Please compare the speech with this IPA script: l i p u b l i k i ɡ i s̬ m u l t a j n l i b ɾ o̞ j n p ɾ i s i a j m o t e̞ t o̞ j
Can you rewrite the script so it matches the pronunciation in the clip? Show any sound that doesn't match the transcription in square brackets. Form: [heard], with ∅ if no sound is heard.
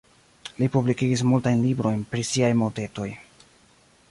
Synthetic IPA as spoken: l i p u b l i k i ɡ i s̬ m u l t a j n l i b ɾ o̞ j n p ɾ i s i a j m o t e̞ t o̞ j